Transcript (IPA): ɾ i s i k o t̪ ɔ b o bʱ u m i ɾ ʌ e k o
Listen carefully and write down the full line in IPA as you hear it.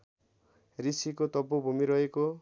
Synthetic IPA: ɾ i s i k o t̪ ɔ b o bʱ u m i ɾ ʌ e k o